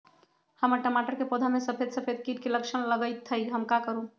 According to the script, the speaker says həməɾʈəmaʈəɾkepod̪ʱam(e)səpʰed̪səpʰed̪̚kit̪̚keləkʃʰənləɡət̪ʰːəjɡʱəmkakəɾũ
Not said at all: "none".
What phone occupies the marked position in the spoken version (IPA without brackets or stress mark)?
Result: e